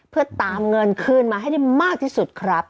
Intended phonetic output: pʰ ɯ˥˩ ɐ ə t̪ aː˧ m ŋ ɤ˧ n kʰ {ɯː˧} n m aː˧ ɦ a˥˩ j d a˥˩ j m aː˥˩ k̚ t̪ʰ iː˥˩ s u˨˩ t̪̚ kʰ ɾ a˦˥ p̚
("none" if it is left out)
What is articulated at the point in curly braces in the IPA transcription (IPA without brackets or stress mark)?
ɯː˥˩